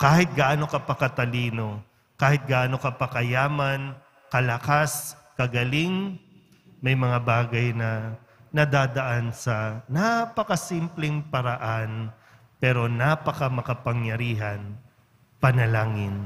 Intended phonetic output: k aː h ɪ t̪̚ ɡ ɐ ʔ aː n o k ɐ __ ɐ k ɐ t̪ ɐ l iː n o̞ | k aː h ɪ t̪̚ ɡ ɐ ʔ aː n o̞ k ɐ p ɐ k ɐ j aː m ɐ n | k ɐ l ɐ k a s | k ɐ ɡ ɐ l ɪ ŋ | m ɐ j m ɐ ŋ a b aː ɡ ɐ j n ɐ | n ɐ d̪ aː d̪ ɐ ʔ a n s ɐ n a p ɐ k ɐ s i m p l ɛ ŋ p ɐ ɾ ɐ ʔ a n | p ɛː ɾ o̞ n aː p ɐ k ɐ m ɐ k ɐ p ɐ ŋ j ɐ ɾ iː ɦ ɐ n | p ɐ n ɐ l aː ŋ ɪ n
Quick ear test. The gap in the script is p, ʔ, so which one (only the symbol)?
p